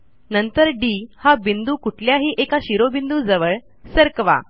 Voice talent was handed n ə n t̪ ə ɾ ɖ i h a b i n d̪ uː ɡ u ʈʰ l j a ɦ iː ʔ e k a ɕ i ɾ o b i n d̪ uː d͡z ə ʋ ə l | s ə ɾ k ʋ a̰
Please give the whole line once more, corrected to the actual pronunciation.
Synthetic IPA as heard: n ə n t̪ ə ɾ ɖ i h a b i n d̪ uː k u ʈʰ l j a ɦ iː ʔ e k a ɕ i ɾ o b i n d̪ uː d͡z ə ʋ ə ɭ | s ə ɾ k ʋ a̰